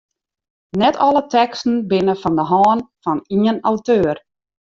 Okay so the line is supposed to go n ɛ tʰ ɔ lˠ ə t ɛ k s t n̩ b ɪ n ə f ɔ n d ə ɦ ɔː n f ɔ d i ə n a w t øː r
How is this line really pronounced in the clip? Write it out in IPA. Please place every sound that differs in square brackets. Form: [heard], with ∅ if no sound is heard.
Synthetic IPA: n ɛ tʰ ɔ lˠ ə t ɛ k s t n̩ b ɪ n ə f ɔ n d ə ɦ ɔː n f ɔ [n] i ə n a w t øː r